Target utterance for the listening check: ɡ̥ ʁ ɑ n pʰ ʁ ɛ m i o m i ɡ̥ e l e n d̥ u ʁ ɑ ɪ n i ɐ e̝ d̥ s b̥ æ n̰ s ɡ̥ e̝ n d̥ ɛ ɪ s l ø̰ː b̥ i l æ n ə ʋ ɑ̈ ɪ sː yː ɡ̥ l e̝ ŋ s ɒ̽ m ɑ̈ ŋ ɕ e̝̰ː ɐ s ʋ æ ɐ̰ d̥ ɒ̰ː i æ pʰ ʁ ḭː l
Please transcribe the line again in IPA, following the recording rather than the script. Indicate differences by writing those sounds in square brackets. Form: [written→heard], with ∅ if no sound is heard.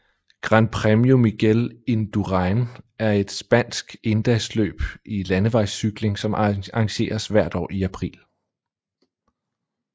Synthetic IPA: ɡ̥ ʁ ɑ n pʰ ʁ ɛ m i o m i ɡ̥ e l e n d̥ u ʁ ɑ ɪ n [i→æ] ɐ e̝ d̥ s b̥ æ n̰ s ɡ̥ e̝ n d̥ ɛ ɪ s l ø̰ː b̥ i l æ n ə ʋ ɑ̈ ɪ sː [yː→y] ɡ̥ l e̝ ŋ s ɒ̽ m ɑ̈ ŋ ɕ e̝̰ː ɐ s ʋ æ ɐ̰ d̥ ɒ̰ː i æ pʰ ʁ ḭː l